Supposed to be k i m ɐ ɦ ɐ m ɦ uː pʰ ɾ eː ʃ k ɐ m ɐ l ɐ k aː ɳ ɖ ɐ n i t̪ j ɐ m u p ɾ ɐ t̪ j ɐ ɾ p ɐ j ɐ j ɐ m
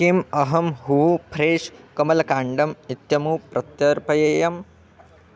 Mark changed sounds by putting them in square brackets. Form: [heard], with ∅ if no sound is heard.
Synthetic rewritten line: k i m ɐ ɦ ɐ m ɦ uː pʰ ɾ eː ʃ k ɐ m ɐ l ɐ k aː ɳ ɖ ɐ [m] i t̪ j ɐ m u p ɾ ɐ t̪ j ɐ ɾ p ɐ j ɐ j ɐ m